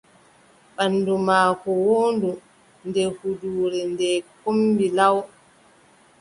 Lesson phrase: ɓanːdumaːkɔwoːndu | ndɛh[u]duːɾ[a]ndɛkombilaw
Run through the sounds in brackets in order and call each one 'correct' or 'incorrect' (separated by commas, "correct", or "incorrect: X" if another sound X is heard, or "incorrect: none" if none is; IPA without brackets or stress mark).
correct, incorrect: ɛ